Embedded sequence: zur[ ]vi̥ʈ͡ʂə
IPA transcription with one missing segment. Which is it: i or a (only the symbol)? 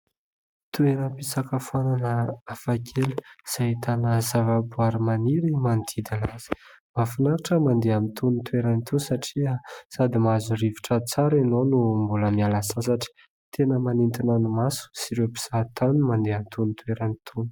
i